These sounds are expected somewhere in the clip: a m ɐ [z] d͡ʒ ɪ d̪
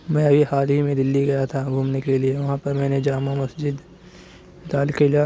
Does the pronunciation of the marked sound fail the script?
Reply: yes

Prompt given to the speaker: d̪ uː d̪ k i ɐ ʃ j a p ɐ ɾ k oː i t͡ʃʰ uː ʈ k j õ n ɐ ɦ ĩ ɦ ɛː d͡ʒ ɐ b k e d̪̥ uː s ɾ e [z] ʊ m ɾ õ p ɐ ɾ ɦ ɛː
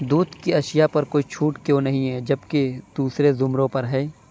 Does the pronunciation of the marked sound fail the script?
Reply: no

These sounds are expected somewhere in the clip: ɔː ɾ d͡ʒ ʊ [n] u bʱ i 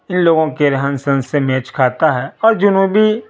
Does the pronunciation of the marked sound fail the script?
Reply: no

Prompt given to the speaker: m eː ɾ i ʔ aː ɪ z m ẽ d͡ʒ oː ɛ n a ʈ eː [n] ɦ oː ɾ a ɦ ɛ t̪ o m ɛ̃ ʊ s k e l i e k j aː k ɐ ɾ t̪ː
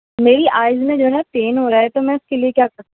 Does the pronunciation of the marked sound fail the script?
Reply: no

